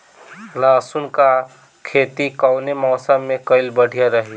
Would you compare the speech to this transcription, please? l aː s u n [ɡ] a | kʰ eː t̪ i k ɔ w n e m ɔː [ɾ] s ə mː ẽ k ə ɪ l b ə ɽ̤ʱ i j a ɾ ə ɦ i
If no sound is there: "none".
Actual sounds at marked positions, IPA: k, none

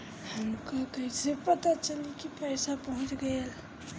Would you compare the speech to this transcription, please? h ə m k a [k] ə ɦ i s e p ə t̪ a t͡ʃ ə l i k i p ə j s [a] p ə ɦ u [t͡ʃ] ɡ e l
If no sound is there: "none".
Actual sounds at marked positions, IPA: k, a, t͡ʃ

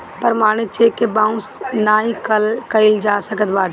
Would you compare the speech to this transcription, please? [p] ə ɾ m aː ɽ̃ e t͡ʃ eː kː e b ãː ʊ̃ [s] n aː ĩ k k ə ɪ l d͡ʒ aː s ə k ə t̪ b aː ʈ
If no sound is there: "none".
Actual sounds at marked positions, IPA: p, s

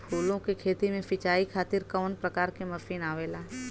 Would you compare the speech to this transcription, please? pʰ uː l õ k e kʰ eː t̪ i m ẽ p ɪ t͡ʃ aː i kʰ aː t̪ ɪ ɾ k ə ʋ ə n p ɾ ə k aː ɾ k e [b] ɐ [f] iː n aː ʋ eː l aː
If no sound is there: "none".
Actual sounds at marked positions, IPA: m, f

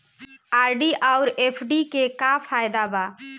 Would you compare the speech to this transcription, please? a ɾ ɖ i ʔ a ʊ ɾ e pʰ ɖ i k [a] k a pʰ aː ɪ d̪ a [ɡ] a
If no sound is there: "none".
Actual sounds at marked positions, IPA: e, b

